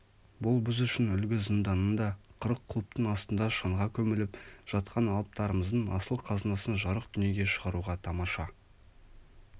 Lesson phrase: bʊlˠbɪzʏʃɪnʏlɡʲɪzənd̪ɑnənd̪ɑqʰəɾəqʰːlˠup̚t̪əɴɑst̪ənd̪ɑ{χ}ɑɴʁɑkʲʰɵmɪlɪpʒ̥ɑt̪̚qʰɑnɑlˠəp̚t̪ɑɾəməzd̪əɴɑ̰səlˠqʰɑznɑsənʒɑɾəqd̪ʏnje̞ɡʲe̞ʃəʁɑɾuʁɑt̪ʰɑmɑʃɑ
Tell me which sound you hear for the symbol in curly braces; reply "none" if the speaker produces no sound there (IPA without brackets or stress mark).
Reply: ʃ